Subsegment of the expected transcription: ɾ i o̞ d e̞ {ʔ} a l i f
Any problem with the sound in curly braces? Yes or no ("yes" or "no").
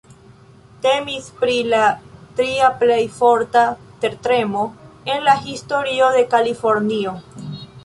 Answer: yes